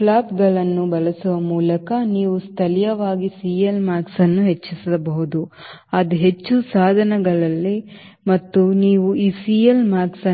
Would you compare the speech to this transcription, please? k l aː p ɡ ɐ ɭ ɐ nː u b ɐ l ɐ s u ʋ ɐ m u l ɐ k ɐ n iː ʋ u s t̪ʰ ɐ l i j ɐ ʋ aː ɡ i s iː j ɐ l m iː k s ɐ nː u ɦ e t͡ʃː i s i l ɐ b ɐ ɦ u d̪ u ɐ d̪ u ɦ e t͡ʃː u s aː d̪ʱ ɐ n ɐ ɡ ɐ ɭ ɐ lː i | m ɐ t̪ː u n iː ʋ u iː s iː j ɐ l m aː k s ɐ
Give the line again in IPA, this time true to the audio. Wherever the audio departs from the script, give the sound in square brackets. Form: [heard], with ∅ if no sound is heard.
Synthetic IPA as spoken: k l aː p ɡ ɐ ɭ ɐ nː u b ɐ l ɐ s u ʋ ɐ m [uː] l ɐ k ɐ n iː ʋ u s t̪ʰ ɐ l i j ɐ ʋ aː ɡ i s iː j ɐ l m [aː] k s ɐ nː u ɦ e t͡ʃː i s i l ɐ b ɐ ɦ u d̪ u ɐ d̪ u ɦ e t͡ʃː u s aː d̪ʱ ɐ n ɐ ɡ ɐ ɭ ɐ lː i | m ɐ t̪ː u n iː ʋ u iː s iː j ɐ l m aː k s ɐ